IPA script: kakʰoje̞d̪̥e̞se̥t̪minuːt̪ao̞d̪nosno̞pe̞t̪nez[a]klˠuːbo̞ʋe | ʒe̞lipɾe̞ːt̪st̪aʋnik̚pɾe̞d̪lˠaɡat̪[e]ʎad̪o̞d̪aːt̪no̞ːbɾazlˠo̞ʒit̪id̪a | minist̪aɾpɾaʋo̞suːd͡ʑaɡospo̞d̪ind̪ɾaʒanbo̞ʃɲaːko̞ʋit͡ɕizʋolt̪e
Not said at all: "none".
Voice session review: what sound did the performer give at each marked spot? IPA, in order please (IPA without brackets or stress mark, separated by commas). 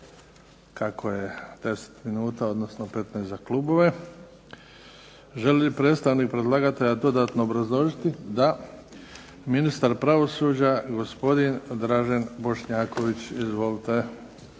a, e